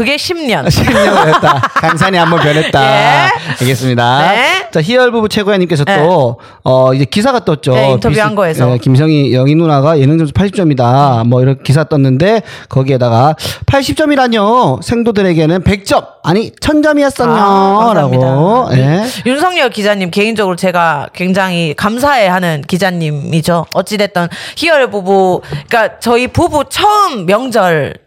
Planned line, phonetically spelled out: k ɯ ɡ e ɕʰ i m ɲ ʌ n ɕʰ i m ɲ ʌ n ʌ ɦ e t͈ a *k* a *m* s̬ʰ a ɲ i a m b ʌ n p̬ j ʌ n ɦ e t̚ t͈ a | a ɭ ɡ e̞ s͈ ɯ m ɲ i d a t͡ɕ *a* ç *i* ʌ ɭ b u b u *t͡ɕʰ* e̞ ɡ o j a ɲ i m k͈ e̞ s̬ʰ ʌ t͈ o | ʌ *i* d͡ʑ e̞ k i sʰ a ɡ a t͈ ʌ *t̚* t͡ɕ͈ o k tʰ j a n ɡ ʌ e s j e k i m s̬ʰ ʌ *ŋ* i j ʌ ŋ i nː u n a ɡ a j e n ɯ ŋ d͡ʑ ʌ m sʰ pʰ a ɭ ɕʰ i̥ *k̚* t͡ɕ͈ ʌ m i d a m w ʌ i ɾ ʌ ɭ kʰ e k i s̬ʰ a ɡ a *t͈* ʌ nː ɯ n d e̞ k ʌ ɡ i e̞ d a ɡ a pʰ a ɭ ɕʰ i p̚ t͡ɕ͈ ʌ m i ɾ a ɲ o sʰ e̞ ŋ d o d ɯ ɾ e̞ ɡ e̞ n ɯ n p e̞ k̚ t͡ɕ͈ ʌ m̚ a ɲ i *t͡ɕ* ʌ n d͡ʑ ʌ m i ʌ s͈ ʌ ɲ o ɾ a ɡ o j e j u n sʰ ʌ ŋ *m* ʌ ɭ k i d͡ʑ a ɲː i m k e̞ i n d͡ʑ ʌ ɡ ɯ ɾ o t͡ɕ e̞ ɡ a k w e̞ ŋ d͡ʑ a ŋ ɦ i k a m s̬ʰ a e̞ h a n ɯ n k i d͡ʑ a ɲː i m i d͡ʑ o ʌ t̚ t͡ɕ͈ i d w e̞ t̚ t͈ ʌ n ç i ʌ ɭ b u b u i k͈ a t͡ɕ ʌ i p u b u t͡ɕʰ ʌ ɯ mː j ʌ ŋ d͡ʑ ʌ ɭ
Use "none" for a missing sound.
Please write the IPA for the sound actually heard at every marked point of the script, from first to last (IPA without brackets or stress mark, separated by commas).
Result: k, ŋ, a, i, t͡ɕʰ, i, t̚, ŋ, p̚, t͈, t͡ɕʰ, ɲ